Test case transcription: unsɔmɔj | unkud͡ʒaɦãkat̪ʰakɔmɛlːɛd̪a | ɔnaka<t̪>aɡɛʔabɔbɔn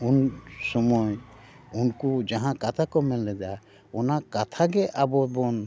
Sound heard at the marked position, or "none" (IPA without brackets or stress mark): t̪ʰ